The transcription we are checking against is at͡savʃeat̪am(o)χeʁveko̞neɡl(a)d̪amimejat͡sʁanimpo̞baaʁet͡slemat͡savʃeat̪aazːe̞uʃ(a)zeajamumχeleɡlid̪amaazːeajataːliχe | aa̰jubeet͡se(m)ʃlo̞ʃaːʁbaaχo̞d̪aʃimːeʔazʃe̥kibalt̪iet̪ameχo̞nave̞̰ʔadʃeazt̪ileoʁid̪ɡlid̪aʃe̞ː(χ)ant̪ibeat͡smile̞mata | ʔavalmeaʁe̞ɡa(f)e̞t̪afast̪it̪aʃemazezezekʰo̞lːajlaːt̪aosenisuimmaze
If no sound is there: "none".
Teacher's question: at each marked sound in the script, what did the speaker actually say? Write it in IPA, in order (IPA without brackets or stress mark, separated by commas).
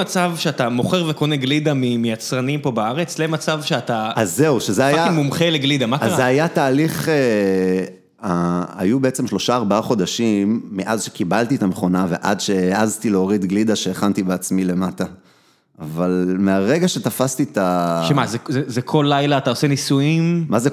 o, i, e, m, χ, ʃ